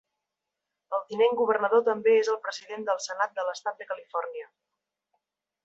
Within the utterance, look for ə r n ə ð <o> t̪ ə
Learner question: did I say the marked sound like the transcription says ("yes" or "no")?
yes